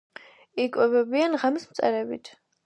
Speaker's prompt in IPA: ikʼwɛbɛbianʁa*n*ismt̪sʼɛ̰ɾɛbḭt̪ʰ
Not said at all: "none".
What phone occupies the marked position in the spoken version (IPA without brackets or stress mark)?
m